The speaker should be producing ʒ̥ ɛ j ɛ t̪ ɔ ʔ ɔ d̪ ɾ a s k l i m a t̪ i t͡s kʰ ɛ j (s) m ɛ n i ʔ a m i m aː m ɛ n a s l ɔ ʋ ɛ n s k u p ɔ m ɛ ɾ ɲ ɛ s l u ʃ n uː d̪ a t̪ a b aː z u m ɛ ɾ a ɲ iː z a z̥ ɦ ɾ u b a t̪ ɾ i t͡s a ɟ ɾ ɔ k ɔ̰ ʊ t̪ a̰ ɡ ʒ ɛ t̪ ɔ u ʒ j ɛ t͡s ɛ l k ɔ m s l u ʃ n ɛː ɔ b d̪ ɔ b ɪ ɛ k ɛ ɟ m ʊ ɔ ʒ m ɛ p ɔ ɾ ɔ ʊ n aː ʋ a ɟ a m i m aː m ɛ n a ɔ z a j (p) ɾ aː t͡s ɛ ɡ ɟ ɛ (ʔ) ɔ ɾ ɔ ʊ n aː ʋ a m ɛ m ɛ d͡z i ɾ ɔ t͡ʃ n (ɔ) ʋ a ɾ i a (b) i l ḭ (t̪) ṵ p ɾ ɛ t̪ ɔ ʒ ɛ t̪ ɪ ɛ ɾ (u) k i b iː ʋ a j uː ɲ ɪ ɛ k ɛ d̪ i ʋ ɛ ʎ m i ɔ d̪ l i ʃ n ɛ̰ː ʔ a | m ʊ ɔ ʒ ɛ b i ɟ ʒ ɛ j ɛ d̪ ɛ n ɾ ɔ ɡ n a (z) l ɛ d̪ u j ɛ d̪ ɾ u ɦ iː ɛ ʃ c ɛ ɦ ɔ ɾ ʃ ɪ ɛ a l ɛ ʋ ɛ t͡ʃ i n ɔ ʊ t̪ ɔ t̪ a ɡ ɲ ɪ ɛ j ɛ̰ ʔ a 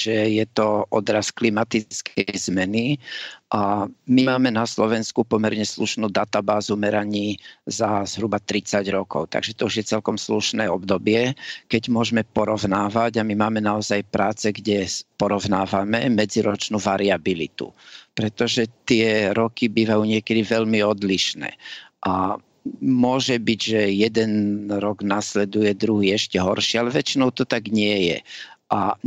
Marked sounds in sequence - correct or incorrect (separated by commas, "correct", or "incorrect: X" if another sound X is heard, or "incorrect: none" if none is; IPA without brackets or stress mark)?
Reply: incorrect: z, correct, incorrect: p, incorrect: u, correct, correct, incorrect: ɔ, incorrect: s